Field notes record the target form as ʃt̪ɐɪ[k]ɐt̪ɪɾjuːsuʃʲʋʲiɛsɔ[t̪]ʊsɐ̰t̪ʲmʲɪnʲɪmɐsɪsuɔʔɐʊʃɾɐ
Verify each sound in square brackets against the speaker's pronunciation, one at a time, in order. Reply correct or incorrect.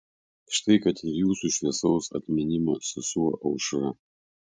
correct, incorrect: none

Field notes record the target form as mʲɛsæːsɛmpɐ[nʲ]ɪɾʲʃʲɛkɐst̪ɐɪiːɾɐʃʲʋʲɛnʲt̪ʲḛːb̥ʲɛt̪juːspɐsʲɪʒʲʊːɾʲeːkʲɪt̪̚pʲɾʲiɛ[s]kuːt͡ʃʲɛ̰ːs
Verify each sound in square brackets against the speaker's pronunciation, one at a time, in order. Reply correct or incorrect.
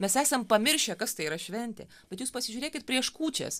incorrect: mʲ, incorrect: ʃ

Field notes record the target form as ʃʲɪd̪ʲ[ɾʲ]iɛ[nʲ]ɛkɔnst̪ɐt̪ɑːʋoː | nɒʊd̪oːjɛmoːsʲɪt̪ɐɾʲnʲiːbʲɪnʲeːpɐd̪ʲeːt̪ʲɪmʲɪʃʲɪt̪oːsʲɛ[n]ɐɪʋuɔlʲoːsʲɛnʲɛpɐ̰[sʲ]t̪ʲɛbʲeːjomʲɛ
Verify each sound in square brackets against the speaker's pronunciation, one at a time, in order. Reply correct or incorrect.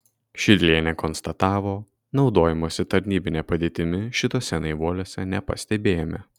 incorrect: lʲ, correct, correct, correct

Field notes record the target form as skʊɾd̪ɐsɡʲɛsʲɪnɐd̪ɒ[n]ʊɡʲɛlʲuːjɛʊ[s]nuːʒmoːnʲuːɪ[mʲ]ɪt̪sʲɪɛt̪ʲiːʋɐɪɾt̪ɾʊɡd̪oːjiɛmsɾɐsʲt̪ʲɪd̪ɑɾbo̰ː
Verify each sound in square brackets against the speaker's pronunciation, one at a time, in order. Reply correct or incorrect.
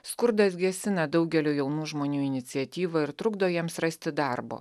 incorrect: none, incorrect: none, incorrect: nʲ

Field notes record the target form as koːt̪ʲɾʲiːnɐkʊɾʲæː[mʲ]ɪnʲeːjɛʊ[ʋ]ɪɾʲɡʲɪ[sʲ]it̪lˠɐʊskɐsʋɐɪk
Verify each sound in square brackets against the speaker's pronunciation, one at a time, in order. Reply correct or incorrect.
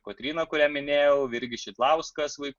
correct, correct, incorrect: ʃʲ

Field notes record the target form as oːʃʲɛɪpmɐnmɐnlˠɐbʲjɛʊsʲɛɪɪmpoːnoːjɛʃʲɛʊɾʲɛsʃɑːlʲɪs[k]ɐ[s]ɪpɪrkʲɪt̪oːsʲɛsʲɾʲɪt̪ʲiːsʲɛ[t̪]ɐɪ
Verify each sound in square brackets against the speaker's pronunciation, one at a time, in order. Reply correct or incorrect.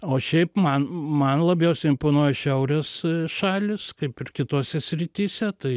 correct, incorrect: none, correct

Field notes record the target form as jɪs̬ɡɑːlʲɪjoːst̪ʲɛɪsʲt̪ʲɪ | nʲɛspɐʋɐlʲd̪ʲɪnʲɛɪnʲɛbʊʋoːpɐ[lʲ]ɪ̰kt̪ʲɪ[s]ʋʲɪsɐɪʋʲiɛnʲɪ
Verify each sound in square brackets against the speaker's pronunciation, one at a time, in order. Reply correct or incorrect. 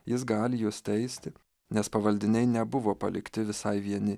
correct, incorrect: none

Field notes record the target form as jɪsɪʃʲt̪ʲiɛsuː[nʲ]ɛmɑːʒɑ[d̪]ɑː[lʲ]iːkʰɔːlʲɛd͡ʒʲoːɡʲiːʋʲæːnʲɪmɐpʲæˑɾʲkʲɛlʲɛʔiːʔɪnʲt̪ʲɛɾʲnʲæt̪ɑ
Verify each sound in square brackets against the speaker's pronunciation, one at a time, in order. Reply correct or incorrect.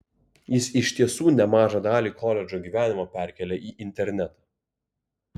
correct, correct, correct

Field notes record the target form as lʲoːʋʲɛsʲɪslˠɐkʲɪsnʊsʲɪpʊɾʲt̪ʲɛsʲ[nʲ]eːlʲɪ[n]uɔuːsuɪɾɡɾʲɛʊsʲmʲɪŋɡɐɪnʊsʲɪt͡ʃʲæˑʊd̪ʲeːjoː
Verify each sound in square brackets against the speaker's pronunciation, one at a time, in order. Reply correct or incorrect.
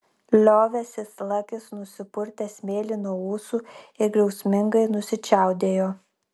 incorrect: mʲ, correct

